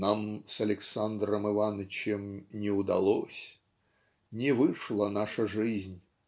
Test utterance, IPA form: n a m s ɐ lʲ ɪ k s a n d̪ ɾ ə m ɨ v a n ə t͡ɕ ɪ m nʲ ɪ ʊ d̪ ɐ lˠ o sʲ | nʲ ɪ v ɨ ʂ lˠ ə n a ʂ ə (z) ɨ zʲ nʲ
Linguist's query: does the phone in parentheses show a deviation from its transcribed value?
yes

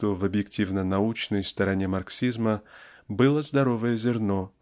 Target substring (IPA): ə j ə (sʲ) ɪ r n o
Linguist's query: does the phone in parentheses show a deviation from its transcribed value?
yes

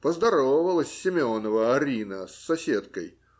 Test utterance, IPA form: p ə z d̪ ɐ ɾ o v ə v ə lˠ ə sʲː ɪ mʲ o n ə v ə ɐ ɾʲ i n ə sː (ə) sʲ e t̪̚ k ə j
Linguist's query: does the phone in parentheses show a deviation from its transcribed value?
yes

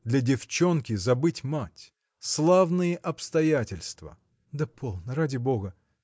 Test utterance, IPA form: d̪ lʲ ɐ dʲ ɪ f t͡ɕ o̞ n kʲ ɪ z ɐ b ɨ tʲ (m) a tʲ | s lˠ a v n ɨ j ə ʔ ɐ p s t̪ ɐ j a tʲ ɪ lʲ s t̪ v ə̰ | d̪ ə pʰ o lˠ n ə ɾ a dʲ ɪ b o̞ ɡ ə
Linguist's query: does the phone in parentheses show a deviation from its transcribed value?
no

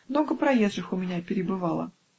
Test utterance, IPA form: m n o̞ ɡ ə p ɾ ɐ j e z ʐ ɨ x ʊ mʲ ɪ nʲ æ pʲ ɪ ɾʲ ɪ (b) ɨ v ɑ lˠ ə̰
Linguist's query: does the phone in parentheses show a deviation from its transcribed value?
no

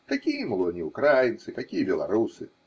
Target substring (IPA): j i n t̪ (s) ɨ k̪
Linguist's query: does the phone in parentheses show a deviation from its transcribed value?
no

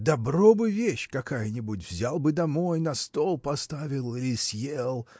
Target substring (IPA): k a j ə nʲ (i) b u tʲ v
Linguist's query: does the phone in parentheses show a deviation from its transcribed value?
yes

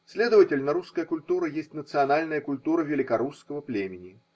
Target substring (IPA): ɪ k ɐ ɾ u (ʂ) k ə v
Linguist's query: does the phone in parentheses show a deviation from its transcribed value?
yes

